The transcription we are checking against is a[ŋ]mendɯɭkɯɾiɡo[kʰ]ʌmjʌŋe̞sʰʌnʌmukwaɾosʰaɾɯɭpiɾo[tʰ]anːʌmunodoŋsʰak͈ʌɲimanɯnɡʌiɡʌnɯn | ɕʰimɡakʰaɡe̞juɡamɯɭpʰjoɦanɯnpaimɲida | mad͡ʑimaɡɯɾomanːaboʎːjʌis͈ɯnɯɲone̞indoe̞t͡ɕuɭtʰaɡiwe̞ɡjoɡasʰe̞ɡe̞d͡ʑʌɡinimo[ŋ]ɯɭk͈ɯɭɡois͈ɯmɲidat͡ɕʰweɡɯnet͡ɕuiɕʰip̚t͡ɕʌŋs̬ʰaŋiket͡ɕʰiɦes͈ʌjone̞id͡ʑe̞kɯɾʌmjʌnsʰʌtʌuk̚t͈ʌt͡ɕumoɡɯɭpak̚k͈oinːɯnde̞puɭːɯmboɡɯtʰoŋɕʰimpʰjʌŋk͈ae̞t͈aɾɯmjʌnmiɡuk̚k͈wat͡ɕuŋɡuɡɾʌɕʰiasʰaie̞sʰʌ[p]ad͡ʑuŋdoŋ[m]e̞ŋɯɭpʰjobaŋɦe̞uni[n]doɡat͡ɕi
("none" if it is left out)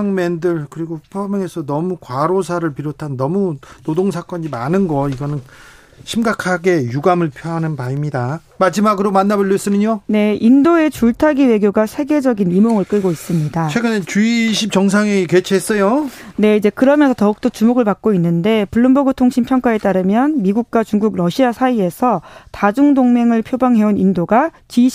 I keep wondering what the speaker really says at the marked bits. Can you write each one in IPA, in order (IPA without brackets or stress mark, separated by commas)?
ŋ, pʰ, tʰ, ŋ, t, m, n